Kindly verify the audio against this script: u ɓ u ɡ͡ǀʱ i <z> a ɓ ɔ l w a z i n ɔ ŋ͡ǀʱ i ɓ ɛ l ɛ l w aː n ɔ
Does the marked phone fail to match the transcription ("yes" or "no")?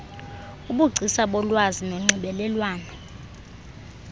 yes